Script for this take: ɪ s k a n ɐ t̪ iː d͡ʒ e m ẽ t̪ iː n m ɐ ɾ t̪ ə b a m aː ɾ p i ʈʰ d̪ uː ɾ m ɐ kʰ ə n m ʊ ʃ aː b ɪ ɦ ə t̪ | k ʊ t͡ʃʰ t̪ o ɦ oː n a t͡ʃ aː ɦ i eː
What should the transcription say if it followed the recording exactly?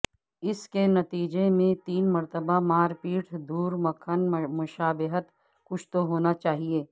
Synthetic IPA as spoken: ɪ s k e n ɐ t̪ iː d͡ʒ e m ẽ t̪ iː n m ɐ ɾ t̪ ə b a m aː ɾ p iː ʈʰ d̪ uː ɾ m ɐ kʰ ə n m ʊ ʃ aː b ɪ ɦ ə t̪ | k ʊ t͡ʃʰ t̪ o ɦ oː n a t͡ʃ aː ɦ i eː

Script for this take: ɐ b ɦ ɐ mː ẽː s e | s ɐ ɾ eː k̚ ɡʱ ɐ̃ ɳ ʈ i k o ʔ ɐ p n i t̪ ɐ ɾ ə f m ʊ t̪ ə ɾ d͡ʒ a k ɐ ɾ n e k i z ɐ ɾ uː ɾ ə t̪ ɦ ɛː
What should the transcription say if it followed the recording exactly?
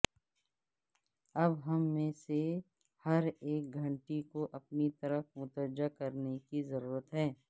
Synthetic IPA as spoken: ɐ b ɦ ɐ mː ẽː s e | h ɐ ɾ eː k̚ ɡʱ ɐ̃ ɳ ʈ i k o ʔ ɐ p n i t̪ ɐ ɾ ə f m ʊ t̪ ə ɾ d͡ʒ a k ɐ ɾ n e k i z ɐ ɾ uː ɾ ə t̪ ɦ ɛː

